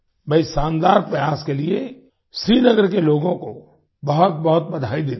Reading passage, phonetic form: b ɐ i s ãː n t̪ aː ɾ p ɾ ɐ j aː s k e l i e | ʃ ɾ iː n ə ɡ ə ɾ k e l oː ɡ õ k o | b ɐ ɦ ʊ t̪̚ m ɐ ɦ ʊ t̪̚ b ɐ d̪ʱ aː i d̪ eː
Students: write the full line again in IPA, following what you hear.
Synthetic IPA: b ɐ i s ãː n d̪ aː ɾ p ɾ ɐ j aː s k e l i e | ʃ ɾ iː n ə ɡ ə ɾ k e l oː ɡ õ k o | b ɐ ɦ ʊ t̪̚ b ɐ ɦ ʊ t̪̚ b ɐ d̪ʱ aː i d̪ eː